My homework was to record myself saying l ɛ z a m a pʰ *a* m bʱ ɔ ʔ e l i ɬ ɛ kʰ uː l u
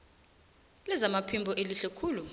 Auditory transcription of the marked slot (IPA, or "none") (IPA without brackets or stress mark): i